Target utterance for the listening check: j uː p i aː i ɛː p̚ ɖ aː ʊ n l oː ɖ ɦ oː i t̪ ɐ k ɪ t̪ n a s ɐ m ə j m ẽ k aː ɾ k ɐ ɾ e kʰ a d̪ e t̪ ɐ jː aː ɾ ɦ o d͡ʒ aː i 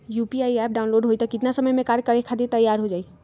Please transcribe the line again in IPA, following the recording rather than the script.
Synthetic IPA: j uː p i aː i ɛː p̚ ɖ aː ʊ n l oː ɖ ɦ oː i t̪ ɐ k ɪ t̪ n a s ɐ m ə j m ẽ k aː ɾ k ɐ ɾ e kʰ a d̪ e t̪ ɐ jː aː ɾ ɦ o d͡ʒ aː i